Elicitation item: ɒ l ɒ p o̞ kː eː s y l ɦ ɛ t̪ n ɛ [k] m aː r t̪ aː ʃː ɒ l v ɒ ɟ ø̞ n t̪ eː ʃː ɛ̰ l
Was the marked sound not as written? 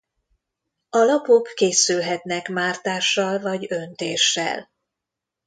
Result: no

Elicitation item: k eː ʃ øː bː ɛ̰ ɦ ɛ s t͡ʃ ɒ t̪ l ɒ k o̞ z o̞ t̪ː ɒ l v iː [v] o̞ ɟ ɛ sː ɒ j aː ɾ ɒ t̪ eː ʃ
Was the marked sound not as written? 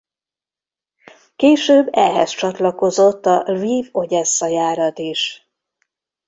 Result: no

